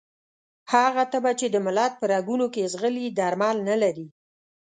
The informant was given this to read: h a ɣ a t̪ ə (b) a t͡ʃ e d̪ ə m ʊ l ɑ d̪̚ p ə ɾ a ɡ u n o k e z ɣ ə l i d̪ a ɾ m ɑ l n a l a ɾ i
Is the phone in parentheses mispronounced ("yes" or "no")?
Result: no